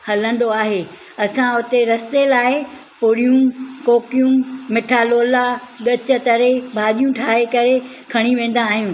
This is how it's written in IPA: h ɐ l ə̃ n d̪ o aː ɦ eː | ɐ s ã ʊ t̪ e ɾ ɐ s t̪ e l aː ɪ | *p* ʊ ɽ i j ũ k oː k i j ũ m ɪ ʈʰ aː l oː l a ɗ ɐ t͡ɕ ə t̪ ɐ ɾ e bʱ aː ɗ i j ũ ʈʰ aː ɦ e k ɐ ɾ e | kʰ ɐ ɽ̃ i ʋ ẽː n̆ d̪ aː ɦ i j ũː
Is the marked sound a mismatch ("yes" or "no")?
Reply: no